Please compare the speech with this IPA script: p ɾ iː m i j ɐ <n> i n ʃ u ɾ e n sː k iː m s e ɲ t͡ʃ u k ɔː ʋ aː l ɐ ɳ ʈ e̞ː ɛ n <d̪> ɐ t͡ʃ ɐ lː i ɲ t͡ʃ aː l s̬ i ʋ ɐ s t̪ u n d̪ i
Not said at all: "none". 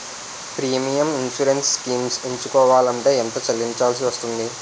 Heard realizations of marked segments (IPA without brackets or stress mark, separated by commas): m, t̪